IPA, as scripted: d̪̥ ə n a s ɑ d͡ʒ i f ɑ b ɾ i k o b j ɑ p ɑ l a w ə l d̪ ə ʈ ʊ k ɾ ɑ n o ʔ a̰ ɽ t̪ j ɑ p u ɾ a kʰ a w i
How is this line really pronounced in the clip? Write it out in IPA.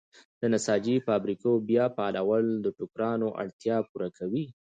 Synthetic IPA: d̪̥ ə n a s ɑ d͡ʒ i f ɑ b ɾ i k o b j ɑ p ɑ l a w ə l d̪ ə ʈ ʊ k ɾ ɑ n o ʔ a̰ ɽ t̪ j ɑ p u ɾ a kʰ a w i